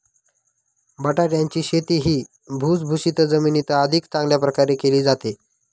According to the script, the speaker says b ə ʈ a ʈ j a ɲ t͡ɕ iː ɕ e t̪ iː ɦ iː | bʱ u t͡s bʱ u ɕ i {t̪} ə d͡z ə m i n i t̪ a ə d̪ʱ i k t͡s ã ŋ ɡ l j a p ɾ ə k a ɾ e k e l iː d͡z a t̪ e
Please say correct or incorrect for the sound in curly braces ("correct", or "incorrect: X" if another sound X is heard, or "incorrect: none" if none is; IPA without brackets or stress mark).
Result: correct